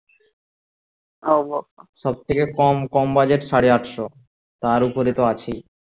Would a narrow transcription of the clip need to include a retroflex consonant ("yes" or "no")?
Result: yes